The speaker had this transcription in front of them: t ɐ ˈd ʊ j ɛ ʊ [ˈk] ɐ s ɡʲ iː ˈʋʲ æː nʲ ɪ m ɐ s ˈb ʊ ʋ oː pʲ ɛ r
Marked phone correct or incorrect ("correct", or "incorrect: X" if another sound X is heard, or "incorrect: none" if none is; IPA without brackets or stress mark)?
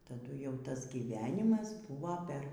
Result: incorrect: t